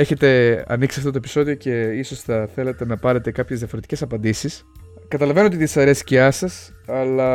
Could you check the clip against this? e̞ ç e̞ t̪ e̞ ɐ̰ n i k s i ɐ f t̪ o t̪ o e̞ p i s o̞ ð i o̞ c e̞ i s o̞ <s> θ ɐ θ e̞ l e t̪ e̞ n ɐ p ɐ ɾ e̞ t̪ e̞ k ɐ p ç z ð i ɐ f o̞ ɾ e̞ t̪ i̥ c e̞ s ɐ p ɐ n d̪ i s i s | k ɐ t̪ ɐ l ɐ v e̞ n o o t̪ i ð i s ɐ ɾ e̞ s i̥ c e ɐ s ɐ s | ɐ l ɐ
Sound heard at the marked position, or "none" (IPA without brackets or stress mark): s